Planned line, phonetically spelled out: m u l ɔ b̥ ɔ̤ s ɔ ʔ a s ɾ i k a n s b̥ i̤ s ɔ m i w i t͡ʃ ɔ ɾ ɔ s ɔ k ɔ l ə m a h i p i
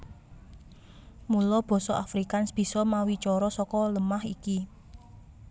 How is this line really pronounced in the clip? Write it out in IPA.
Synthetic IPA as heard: m u l ɔ b̥ ɔ̤ s ɔ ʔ a f ɾ i k a n s b̥ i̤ s ɔ m a w i t͡ʃ ɔ ɾ ɔ s ɔ k ɔ l ə m a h i k i